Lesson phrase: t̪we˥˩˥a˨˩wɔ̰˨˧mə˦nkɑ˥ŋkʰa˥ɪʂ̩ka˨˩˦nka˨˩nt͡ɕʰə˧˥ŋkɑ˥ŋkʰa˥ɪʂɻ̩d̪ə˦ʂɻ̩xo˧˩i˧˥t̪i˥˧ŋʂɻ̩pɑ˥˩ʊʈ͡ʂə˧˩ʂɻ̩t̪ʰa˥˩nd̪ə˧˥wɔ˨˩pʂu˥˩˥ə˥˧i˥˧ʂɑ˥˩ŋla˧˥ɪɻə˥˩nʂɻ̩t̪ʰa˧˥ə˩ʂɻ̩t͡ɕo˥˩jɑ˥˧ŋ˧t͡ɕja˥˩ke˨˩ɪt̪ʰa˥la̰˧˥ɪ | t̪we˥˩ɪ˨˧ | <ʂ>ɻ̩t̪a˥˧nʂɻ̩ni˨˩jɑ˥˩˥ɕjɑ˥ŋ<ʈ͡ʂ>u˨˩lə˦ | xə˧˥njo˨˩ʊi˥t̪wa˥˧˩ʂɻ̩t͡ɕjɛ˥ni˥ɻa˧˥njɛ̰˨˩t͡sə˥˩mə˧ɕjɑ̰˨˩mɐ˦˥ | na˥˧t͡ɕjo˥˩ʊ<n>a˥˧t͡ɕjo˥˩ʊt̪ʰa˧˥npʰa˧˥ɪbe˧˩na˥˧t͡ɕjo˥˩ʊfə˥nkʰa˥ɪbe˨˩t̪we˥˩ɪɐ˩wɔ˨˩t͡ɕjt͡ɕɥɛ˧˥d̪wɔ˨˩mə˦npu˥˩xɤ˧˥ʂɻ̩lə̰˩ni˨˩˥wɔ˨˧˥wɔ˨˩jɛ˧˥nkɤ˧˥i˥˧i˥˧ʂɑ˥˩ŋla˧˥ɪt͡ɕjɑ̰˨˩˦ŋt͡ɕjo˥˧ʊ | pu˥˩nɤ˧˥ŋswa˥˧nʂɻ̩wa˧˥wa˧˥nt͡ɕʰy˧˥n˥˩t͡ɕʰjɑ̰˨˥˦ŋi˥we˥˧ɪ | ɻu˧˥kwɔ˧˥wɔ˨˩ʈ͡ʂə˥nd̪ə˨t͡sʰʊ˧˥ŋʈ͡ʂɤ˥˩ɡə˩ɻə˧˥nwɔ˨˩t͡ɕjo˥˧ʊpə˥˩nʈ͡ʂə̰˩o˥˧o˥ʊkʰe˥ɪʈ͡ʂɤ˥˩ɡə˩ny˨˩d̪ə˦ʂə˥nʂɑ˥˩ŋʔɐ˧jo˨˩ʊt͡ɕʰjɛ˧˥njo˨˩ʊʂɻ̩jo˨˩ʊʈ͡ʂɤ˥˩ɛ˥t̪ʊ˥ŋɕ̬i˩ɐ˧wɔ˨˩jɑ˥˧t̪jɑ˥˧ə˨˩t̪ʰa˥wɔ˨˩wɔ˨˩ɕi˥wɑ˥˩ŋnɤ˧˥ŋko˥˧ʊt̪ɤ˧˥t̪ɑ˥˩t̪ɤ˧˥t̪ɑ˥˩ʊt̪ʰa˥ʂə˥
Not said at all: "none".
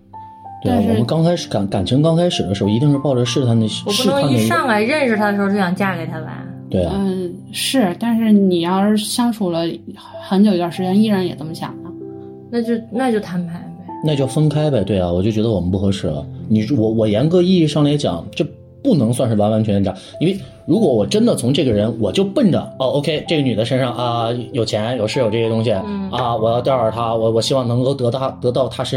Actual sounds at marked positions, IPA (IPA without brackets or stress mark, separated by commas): ʂ, ʈ͡ʂʰ, n